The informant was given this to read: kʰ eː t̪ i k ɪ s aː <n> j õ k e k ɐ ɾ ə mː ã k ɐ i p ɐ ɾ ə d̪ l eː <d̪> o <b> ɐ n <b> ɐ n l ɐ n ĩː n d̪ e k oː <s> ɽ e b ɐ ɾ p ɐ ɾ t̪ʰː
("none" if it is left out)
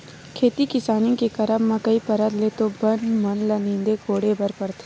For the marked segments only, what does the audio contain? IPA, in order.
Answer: n, t̪, b, m, none

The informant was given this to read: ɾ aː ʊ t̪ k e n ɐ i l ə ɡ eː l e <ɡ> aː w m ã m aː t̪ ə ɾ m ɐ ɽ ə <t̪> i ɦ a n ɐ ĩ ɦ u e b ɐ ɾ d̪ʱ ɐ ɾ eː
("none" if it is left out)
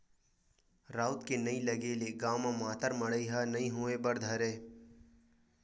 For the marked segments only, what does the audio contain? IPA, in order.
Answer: ɡ, none

